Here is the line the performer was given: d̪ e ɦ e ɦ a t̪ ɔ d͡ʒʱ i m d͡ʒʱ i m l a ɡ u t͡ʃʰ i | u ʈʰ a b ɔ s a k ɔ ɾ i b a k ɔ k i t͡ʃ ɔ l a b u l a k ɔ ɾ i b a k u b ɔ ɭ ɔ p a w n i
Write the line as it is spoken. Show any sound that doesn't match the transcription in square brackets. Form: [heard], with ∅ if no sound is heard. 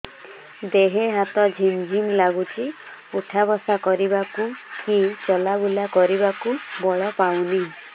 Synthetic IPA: d̪ e ɦ e ɦ a t̪ ɔ d͡ʒʱ i m d͡ʒʱ i m l a ɡ u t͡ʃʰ i | u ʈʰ a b ɔ s a k ɔ ɾ i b a k [u] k i t͡ʃ ɔ l a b u l a k ɔ ɾ i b a k u b ɔ ɭ ɔ p a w n i